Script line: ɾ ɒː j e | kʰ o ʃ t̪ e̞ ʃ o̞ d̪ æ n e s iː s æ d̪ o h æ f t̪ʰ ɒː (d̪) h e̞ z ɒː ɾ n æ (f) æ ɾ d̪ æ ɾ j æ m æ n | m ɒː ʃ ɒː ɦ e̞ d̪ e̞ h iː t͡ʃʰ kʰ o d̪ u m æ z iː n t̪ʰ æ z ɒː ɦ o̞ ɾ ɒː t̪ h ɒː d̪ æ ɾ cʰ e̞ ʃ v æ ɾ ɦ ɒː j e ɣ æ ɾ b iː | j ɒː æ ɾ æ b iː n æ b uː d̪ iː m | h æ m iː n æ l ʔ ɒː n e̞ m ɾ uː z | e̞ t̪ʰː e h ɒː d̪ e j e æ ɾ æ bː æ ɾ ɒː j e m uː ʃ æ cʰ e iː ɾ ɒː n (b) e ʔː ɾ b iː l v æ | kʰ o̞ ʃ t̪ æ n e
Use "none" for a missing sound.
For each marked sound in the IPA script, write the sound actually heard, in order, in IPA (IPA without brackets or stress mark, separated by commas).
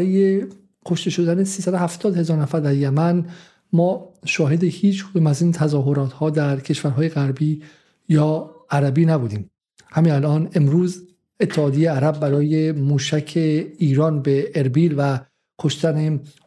d̪, f, b